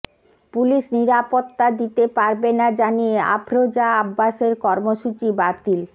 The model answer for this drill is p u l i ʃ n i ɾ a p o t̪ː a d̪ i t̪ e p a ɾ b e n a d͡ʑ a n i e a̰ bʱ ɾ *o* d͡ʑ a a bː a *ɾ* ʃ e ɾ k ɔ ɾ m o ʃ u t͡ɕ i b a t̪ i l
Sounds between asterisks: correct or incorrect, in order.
correct, incorrect: none

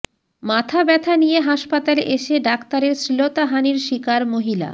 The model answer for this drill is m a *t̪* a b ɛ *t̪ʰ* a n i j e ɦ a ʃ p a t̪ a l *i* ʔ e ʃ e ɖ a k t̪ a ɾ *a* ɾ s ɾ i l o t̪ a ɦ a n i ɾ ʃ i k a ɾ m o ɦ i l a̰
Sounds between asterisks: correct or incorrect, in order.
incorrect: t̪ʰ, correct, incorrect: e, incorrect: e

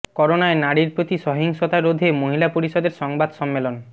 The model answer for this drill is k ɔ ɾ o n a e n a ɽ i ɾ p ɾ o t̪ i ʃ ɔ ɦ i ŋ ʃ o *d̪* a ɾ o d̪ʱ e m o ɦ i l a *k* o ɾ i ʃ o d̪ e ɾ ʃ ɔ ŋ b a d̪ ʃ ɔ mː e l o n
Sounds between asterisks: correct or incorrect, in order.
incorrect: t̪, incorrect: p

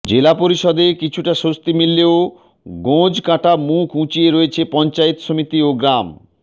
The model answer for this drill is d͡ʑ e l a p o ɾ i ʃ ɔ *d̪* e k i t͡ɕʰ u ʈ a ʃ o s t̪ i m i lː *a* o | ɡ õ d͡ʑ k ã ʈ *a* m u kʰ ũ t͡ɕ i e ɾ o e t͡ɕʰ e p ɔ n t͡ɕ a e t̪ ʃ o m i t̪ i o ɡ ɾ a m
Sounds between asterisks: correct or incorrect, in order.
correct, incorrect: e, correct

